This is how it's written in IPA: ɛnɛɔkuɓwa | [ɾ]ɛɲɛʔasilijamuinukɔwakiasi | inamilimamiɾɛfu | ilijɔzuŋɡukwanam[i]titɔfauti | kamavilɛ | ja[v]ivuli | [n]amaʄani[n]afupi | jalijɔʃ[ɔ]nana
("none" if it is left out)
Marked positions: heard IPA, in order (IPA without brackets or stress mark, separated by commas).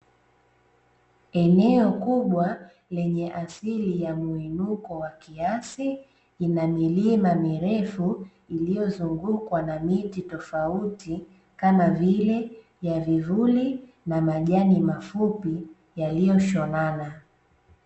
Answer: l, i, v, n, m, ɔ